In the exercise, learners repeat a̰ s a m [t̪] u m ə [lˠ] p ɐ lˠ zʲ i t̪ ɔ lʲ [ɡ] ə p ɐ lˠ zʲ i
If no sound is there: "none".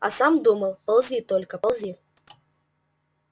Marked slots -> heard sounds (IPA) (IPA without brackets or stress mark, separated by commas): d̪, lˠ, k